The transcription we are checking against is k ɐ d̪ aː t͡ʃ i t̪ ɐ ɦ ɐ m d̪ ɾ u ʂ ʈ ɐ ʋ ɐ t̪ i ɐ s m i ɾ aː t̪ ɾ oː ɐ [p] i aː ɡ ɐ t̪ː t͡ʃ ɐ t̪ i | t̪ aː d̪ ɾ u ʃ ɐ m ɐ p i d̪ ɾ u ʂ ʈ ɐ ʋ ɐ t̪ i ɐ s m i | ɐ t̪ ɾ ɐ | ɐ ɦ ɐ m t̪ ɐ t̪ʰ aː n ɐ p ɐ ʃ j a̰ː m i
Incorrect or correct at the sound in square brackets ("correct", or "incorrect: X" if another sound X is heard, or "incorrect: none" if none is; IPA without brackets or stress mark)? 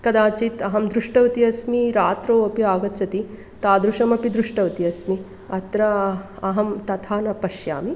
correct